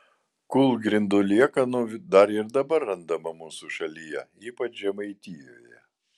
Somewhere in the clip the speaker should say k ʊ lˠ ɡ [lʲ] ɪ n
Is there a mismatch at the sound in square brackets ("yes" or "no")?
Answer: yes